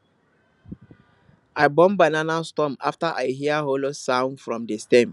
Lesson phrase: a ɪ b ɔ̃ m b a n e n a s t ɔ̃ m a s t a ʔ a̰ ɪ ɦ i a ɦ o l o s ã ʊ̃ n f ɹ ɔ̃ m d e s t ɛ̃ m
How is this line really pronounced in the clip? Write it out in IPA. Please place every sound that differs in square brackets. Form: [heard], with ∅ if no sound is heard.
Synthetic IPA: a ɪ b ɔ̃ m b a n [a] n a s t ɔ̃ m a [f] t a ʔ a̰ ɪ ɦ i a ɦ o l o s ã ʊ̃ n f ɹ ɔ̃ m d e s t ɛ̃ m